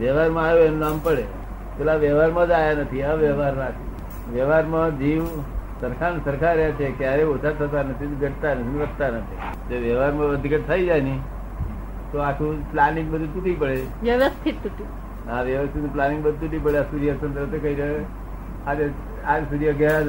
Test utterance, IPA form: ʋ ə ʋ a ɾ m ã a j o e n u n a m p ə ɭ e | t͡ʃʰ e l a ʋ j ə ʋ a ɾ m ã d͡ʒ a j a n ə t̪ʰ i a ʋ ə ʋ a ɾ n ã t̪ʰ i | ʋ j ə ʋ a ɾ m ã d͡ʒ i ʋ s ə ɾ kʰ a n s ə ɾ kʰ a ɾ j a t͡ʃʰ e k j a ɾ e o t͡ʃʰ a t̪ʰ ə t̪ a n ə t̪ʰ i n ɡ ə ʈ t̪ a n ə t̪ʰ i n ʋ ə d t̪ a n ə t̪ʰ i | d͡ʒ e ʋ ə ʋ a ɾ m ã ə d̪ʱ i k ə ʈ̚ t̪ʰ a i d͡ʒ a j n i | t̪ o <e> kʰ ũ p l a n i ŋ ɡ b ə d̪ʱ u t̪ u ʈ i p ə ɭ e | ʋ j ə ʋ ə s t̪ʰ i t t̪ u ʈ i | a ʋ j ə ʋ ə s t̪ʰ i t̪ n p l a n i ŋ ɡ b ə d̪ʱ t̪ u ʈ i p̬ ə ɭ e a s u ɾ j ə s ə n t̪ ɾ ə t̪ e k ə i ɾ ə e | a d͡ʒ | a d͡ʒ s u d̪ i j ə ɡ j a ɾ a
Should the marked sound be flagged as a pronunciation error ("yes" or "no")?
yes